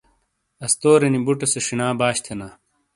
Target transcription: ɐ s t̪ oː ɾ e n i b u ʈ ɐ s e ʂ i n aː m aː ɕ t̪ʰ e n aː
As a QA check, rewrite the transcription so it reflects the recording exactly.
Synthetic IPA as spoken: ɐ s t̪ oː ɾ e n i b u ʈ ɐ s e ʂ i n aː b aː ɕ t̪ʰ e n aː